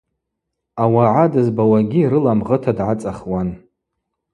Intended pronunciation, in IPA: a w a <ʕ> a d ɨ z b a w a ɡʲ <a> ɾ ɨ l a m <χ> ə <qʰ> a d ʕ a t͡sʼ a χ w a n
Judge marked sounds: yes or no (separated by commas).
yes, no, no, no